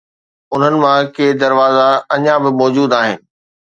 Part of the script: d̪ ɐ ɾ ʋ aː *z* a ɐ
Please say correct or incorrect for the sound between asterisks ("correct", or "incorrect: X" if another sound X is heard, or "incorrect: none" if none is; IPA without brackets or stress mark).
correct